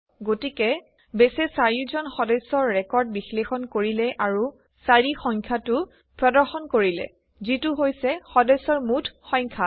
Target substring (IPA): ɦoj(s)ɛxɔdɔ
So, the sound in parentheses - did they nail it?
yes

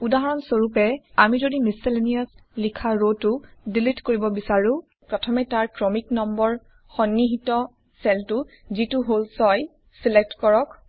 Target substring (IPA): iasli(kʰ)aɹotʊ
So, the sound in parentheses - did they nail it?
yes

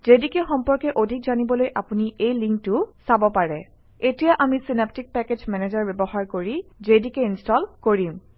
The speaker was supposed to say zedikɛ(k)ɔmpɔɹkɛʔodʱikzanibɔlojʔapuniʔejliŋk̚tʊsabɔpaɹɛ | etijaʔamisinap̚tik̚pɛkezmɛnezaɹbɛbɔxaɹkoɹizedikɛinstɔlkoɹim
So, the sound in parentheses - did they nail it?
no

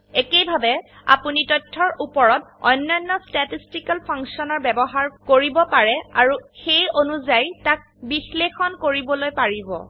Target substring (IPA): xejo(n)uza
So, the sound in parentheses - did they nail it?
yes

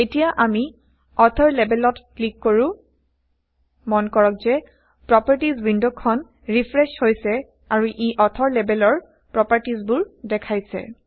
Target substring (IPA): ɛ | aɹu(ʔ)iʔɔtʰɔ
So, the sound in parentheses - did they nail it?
yes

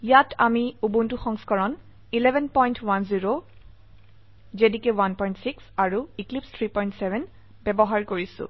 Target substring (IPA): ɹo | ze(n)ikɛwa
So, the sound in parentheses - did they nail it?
no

